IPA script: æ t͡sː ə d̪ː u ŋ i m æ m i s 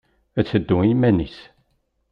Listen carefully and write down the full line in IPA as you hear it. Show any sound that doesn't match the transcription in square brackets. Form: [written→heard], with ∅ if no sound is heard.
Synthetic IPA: æ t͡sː ə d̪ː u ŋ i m æ [m→n] i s